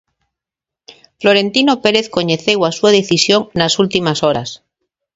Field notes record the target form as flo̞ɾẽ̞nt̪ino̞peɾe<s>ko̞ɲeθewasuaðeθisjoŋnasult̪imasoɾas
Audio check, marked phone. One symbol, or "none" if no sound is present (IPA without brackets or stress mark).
θ